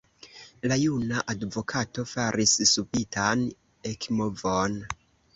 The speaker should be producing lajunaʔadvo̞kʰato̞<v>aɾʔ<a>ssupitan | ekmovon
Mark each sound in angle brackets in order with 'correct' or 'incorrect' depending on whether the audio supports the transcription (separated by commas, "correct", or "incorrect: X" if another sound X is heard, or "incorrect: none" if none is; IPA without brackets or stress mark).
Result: incorrect: f, incorrect: i